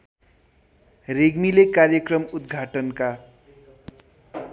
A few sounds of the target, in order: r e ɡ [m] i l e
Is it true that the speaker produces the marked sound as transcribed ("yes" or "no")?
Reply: yes